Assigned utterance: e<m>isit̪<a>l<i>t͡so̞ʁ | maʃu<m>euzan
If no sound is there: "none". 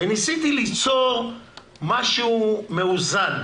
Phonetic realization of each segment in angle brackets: n, i, i, m

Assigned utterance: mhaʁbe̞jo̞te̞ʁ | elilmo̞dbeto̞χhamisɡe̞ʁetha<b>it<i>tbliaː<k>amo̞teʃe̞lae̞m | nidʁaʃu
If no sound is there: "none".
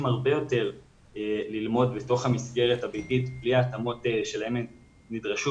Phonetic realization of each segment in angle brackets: b, i, t

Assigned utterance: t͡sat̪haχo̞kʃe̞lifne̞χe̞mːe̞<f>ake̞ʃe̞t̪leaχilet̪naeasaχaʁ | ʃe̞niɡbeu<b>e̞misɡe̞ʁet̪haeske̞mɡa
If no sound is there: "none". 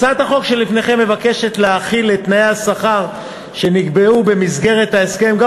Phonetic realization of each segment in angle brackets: v, b

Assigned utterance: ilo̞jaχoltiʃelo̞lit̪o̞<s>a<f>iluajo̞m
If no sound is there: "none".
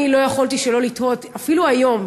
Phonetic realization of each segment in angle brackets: t, f

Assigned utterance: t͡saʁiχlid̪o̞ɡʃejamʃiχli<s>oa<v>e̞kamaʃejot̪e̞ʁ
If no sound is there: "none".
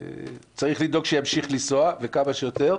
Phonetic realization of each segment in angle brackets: s, v

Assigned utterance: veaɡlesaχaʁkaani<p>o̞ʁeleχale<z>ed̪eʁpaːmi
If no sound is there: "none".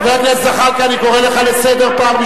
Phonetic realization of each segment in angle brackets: k, s

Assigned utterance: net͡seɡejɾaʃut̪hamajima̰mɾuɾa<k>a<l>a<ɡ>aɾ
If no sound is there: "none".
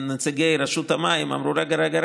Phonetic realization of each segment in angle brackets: ɡ, ɾ, ɡ

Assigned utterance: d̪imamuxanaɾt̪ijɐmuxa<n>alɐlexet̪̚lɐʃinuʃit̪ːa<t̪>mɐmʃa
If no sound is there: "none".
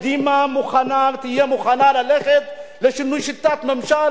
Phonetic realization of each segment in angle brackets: n, t̪

